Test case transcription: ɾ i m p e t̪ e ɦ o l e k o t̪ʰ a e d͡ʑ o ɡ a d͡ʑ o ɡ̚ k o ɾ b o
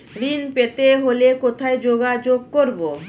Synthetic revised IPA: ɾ i n p e t̪ e ɦ o l e k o t̪ʰ a e d͡ʑ o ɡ a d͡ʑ o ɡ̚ k o ɾ b o